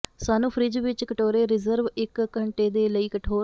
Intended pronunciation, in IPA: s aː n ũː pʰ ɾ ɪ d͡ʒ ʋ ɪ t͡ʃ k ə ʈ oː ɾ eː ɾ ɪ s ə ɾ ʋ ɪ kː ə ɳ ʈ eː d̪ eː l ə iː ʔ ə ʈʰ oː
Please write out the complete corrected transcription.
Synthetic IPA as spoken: s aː n ũː pʰ ɾ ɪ d͡ʒ ʋ ɪ t͡ʃ k ə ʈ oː ɾ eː ɾ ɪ z ə ɾ ʋ ɪ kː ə ɳ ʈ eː d̪ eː l ə iː k ə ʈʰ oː